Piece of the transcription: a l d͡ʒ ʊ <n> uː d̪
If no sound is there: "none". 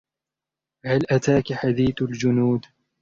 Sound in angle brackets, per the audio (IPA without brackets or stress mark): n